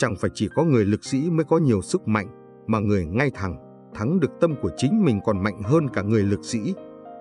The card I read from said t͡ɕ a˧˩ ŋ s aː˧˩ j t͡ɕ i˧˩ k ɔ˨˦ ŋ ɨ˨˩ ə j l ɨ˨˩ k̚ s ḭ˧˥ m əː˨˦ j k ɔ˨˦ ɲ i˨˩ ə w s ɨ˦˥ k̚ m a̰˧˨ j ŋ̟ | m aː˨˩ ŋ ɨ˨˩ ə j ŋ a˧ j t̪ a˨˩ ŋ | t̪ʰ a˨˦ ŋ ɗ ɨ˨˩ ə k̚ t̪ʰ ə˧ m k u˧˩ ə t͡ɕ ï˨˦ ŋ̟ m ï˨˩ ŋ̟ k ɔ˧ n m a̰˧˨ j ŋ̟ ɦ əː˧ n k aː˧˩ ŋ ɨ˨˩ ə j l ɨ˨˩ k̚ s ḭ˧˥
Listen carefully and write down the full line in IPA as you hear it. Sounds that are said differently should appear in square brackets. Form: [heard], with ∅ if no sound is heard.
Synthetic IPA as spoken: t͡ɕ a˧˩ ŋ [f] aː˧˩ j t͡ɕ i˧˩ k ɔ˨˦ ŋ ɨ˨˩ ə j l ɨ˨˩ k̚ s ḭ˧˥ m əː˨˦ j k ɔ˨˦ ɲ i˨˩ ə w s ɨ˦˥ k̚ m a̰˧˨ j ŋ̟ | m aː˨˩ ŋ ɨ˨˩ ə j ŋ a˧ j [t̪ʰ] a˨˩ ŋ | t̪ʰ a˨˦ ŋ ɗ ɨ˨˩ ə k̚ [t̪] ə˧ m k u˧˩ ə t͡ɕ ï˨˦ ŋ̟ m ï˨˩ ŋ̟ k [ɔ˨˩] n m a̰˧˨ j ŋ̟ ɦ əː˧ n k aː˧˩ ŋ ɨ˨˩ ə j l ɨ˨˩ k̚ s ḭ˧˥